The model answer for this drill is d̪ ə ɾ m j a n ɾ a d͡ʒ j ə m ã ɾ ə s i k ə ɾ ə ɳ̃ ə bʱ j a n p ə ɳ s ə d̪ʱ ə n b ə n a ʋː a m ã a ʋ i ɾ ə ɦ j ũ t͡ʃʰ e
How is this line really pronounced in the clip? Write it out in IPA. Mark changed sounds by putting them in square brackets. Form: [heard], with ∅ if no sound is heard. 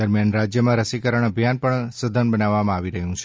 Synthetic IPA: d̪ ə ɾ m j a n ɾ a d͡ʒ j ə m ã ɾ ə s i k ə ɾ ə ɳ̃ ə bʱ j a n p ə ɳ s ə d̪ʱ ə n b ə n a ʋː a m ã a ʋ i ɾ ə ɦ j ũ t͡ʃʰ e